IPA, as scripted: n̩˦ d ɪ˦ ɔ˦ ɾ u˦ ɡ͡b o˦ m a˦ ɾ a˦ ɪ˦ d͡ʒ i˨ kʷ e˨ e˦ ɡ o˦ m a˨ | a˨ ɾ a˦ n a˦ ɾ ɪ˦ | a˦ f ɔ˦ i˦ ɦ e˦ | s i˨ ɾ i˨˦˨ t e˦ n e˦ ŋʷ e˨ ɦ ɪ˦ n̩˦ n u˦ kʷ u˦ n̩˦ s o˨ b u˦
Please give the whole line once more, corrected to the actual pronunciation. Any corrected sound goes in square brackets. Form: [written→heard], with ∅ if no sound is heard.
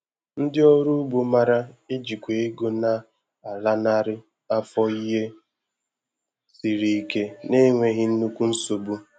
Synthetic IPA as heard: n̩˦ d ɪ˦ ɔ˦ ɾ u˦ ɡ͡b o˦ m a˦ ɾ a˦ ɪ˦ d͡ʒ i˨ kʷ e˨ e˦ ɡ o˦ [m→n] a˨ | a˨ [ɾ→l] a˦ n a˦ ɾ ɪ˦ | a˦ f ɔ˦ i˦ ɦ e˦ | s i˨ ɾ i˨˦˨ [t→k] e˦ n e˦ ŋʷ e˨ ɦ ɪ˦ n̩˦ n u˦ kʷ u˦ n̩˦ s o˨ b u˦